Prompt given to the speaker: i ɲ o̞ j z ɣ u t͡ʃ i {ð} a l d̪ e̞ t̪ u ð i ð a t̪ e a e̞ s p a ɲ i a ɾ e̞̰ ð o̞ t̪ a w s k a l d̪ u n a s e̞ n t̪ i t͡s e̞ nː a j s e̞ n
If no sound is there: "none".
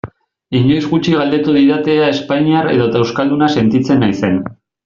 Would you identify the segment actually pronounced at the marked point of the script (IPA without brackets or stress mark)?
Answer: ɣ